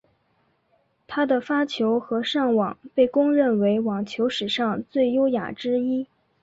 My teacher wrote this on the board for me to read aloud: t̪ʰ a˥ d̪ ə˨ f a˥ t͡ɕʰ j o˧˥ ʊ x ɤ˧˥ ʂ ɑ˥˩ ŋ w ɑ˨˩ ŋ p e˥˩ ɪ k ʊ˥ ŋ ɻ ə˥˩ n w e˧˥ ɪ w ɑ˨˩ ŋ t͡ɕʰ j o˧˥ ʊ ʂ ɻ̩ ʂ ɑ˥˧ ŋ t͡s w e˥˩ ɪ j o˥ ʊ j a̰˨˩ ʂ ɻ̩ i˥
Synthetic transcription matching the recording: t̪ʰ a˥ d̪ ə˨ f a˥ t͡ɕʰ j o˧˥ ʊ x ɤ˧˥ ʂ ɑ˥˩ ŋ w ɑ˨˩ ŋ p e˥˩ ɪ k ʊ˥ ŋ ɻ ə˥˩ n w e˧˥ ɪ w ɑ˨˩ ŋ t͡ɕʰ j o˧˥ ʊ ʂ ɻ̩ ʂ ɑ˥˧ ŋ t͡s w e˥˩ ɪ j o˥ ʊ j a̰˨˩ ʈ͡ʂ ɻ̩ i˥